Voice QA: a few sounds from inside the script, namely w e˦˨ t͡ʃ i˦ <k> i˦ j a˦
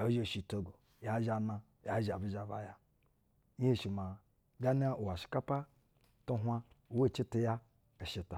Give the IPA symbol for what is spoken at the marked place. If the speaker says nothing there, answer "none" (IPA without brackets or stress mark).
t